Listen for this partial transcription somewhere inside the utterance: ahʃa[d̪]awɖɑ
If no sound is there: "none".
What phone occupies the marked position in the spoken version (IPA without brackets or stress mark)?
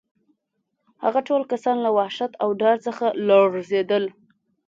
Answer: t̪